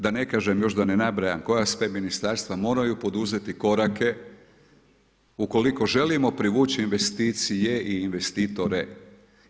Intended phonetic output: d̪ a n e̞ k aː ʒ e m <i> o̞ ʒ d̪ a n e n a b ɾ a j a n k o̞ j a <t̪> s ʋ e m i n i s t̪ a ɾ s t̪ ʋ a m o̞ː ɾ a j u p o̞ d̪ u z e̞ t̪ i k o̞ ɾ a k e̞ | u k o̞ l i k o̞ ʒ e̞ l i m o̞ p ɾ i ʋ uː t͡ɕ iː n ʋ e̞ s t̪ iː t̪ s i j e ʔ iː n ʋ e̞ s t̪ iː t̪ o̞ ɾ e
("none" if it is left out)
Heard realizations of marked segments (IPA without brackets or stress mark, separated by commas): j, none